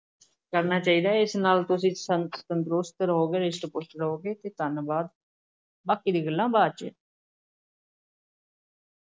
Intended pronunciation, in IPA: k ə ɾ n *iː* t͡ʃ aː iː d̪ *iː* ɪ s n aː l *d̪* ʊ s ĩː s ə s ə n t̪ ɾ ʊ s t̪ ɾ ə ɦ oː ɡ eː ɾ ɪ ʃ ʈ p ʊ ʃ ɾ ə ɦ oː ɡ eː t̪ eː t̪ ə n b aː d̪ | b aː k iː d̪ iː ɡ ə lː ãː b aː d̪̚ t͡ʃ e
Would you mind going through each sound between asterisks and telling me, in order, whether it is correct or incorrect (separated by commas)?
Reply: incorrect, incorrect, incorrect